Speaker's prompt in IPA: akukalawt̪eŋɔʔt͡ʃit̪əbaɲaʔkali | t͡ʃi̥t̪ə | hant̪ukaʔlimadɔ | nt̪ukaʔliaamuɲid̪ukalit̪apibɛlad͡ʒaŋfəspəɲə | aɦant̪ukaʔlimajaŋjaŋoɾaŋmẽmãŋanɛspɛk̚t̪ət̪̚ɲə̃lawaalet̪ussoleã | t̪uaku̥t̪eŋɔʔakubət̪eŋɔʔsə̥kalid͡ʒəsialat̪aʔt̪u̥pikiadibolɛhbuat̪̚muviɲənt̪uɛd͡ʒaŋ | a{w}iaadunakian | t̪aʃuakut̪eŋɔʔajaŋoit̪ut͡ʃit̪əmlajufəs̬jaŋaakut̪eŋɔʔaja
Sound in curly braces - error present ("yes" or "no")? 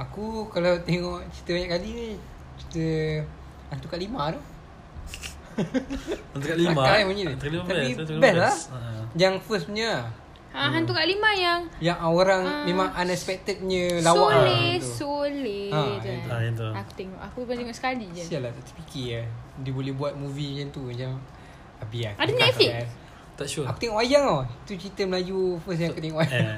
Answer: yes